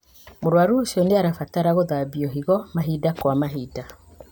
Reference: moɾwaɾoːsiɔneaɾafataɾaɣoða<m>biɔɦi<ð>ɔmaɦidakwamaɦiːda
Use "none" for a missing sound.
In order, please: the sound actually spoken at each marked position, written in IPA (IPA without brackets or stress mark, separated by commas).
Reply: none, ɣ